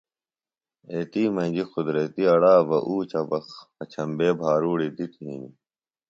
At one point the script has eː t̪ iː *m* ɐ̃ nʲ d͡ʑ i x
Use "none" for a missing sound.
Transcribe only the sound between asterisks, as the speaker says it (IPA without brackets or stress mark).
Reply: m